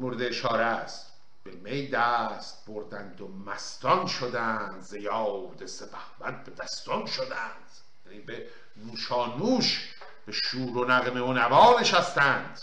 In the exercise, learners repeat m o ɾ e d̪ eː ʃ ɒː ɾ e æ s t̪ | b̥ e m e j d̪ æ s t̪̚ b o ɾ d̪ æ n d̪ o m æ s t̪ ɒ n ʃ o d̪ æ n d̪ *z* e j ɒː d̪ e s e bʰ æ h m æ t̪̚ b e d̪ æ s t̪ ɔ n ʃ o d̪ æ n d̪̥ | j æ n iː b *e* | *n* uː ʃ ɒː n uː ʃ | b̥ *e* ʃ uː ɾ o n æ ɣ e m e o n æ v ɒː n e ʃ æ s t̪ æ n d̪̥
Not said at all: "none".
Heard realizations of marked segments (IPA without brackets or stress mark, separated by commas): z, e, n, e